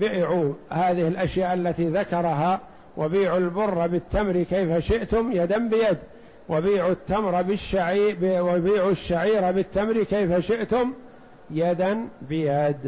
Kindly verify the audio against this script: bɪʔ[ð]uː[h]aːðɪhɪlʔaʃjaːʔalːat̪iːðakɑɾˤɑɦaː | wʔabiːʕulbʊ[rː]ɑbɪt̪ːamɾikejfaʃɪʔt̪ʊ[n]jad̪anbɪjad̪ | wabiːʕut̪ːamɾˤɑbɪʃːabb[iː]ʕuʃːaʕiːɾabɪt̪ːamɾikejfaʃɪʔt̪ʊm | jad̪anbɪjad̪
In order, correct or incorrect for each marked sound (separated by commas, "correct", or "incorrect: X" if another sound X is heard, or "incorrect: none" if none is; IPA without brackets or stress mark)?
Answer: incorrect: ʕ, correct, correct, incorrect: m, correct